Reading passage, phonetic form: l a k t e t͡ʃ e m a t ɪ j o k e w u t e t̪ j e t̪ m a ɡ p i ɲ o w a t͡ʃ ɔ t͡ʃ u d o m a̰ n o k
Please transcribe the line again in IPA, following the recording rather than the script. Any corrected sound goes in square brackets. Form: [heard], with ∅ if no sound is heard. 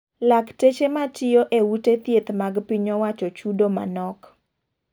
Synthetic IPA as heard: l a k t e t͡ʃ e m a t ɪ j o [ʔ] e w u t e t̪ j e t̪ m a ɡ p i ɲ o w a t͡ʃ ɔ t͡ʃ u d o m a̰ n [ɔ] k